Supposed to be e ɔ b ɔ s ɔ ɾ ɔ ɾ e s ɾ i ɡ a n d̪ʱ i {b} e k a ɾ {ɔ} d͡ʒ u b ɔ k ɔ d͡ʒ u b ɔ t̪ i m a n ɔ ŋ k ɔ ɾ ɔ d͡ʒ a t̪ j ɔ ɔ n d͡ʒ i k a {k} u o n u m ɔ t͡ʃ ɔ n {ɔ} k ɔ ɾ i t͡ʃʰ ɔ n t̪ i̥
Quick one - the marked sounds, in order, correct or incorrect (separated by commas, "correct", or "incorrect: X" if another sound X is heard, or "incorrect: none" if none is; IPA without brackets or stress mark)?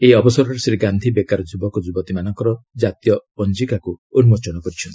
correct, correct, correct, correct